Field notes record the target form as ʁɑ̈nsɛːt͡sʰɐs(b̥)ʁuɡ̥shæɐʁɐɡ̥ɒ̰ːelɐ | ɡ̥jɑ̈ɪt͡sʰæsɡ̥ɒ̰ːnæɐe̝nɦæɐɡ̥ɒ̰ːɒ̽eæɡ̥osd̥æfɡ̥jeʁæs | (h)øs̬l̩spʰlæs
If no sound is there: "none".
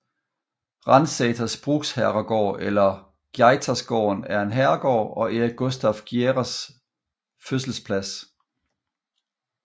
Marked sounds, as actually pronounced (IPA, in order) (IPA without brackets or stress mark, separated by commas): b̥, f